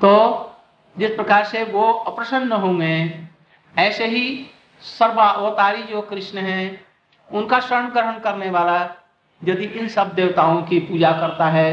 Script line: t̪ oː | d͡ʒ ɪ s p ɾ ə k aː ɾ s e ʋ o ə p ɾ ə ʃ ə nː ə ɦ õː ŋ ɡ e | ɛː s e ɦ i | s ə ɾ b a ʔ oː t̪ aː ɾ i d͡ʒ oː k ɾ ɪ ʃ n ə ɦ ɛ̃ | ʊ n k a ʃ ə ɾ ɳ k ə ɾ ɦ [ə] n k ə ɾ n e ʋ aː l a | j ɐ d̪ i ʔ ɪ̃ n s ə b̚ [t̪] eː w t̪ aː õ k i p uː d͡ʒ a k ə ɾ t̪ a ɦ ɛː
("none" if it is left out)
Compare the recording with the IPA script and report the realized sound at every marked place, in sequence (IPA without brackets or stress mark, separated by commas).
ə, d̪